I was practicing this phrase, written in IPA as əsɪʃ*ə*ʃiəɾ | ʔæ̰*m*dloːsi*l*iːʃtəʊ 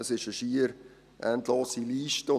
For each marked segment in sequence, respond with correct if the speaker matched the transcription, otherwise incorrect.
correct, incorrect: n, correct

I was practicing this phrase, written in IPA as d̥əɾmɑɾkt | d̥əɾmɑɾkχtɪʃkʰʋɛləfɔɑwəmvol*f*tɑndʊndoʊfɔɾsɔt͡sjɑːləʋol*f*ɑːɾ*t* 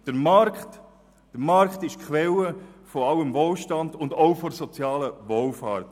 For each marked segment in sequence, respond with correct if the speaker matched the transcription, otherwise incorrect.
incorrect: ʃ, correct, correct

